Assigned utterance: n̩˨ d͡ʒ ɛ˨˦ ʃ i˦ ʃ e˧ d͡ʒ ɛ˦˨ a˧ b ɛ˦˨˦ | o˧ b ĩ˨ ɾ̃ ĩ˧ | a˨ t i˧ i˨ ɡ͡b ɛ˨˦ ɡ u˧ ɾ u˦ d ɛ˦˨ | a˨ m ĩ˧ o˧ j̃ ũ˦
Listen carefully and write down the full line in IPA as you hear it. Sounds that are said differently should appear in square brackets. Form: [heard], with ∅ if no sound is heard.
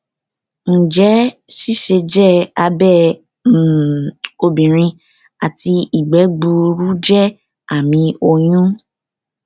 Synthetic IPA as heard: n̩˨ d͡ʒ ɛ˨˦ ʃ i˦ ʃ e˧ d͡ʒ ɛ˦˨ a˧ b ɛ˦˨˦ | o˧ b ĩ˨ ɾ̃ ĩ˧ | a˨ t i˧ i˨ ɡ͡b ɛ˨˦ [ɡ͡b] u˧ ɾ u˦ [d͡ʒ] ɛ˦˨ | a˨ m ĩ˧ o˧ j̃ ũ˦